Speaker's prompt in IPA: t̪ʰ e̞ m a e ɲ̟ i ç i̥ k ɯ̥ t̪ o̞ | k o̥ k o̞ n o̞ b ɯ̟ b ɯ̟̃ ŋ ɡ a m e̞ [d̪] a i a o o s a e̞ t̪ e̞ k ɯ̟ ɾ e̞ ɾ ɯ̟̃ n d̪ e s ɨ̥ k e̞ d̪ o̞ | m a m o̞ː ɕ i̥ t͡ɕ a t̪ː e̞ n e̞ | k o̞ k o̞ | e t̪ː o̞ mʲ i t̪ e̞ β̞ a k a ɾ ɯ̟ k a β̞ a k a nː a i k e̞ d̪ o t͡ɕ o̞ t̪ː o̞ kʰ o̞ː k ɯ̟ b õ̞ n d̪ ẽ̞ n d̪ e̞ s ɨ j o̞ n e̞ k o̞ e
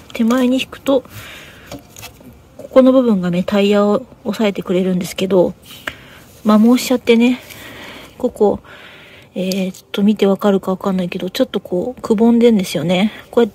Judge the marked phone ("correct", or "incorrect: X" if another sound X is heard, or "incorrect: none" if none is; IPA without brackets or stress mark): incorrect: t̪